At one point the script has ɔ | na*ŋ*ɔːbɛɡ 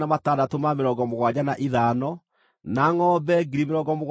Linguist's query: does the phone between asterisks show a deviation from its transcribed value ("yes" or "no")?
no